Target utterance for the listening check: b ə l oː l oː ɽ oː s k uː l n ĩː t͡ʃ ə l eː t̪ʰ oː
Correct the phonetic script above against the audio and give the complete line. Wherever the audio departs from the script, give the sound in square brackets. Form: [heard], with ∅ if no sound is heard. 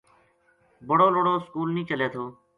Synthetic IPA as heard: b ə [ɽ] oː l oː ɽ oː s k uː l n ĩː t͡ʃ ə l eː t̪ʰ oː